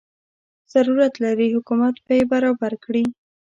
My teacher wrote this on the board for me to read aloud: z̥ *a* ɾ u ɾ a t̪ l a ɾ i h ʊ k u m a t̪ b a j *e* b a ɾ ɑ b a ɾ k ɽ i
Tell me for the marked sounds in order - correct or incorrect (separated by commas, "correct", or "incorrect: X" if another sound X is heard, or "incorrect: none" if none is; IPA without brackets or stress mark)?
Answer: correct, correct